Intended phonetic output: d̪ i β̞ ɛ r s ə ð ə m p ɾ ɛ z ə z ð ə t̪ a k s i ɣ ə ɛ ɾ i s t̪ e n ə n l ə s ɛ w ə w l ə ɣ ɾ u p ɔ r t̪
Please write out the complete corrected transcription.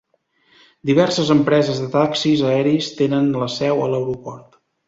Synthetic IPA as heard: d̪ i β̞ ɛ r s ə z ə m p ɾ ɛ z ə z ð ə t̪ a k s i z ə ɛ ɾ i s t̪ e n ə n l ə s ɛ w ə l ə w ɾ u p ɔ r t̪